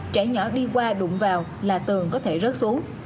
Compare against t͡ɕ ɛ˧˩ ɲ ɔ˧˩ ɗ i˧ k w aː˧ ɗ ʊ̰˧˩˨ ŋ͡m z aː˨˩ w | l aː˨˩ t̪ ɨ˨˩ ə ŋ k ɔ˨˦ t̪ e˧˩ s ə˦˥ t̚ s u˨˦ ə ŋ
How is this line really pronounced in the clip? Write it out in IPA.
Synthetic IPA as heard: t͡ɕ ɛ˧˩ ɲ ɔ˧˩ ɗ i˧ k w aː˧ ɗ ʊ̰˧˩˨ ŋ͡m v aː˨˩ w | l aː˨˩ t̪ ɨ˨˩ ə ŋ k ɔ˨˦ t̪ʰ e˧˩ z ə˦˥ t̚ s u˨˦ ə ŋ